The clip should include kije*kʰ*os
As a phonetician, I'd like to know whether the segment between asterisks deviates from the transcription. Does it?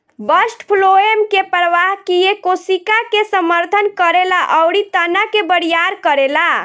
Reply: yes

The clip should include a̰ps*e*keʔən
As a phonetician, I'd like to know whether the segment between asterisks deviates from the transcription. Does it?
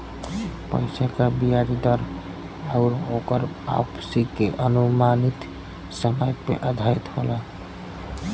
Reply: yes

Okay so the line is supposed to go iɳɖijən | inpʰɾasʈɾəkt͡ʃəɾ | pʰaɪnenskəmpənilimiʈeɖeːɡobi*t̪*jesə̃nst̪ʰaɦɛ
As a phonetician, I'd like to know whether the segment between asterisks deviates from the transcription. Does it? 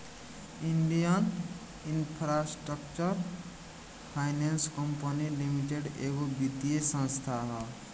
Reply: yes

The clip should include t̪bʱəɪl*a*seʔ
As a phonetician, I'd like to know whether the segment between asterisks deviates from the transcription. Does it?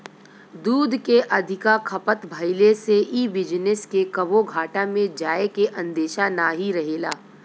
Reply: yes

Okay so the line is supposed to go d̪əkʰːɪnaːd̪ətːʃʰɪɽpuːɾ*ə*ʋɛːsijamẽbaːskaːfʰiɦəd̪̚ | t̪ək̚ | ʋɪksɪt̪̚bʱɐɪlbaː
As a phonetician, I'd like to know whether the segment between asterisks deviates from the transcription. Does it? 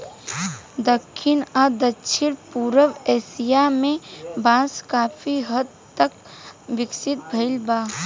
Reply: no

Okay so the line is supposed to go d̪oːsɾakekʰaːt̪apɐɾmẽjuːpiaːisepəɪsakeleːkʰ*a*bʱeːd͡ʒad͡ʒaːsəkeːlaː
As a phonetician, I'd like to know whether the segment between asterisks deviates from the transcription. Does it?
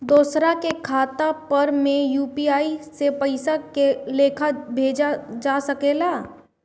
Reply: no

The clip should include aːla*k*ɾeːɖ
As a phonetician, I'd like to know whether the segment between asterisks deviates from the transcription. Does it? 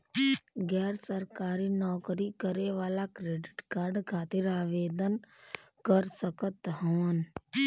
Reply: no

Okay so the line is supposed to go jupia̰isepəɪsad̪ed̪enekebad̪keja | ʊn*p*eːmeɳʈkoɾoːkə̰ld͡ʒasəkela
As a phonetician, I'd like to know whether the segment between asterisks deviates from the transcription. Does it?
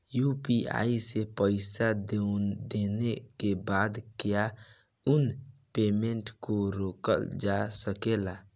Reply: no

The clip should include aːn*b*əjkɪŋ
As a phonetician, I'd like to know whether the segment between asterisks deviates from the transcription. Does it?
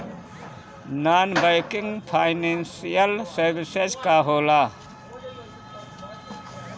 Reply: no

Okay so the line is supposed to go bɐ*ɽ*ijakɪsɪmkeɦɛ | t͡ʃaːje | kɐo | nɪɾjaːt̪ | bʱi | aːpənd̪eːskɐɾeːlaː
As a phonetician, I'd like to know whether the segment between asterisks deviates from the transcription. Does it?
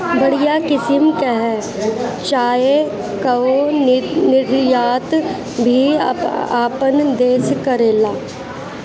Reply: no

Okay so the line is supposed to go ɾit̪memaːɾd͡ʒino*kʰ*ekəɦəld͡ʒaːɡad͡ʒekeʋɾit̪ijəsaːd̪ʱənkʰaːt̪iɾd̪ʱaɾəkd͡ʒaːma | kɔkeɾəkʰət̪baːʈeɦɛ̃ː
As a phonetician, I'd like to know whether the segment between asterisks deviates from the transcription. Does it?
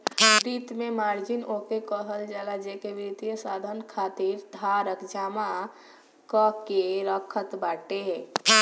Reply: yes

